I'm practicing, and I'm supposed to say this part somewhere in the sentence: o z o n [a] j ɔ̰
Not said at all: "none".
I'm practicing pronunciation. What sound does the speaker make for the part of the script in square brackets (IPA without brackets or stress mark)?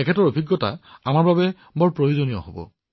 i